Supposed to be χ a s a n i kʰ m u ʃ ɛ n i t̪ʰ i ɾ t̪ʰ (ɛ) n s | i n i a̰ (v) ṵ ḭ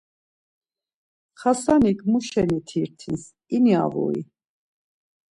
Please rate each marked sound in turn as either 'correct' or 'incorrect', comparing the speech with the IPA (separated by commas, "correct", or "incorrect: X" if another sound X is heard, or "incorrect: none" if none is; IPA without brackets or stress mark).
incorrect: i, correct